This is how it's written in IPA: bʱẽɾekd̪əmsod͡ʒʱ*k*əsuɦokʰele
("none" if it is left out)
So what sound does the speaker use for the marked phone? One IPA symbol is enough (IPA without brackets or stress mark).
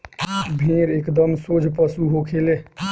p